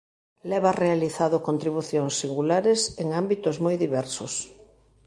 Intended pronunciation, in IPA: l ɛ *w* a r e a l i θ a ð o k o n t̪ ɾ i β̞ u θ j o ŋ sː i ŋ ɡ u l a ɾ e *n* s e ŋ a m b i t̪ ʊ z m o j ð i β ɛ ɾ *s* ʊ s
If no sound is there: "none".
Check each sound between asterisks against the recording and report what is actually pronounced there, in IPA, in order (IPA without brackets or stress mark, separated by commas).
β, none, s